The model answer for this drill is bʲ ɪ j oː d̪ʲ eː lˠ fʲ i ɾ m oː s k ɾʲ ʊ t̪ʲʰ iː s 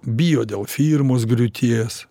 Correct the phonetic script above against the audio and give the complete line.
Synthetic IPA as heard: bʲ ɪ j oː d̪ʲ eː lˠ fʲ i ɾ m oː s ɡ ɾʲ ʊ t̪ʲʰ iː s

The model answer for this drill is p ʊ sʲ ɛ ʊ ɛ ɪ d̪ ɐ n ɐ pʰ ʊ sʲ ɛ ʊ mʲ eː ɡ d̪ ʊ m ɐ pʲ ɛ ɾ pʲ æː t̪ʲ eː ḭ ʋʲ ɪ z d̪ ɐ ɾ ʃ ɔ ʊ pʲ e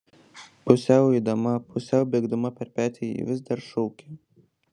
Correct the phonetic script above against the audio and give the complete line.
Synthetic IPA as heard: p ʊ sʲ ɛ ʊ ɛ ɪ d̪ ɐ m ɐ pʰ ʊ sʲ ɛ ʊ bʲ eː ɡ d̪ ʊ m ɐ pʲ ɛ ɾ pʲ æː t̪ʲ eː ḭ ʋʲ ɪ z d̪ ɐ ɾ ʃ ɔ ʊ kʲ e

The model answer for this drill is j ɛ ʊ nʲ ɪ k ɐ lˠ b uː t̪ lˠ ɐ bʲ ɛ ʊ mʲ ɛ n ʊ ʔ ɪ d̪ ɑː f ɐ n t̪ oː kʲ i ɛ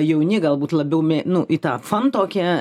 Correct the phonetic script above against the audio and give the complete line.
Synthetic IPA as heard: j ɛ ʊ nʲ ɪ ɡ ɐ lˠ b uː t̪ lˠ ɐ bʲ ɛ ʊ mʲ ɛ n ʊ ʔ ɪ t̪ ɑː f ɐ n t̪ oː kʲ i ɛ

